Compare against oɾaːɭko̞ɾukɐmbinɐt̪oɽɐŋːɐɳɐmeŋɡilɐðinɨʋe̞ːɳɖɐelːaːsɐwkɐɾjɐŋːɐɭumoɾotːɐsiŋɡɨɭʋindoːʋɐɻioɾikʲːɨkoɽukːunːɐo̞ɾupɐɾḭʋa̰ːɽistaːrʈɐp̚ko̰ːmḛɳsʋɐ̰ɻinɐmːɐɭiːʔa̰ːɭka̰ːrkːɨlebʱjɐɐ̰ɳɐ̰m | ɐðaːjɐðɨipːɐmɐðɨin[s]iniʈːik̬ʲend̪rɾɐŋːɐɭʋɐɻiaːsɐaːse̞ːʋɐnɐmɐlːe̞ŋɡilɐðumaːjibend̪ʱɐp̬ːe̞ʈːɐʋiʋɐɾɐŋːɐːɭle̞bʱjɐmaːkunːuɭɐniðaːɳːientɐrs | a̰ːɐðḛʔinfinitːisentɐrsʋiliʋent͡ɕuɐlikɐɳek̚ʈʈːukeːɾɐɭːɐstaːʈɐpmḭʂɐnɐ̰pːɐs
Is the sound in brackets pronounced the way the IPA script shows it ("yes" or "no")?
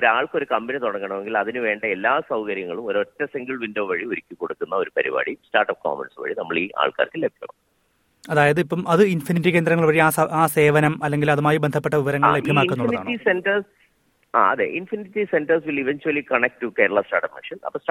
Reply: no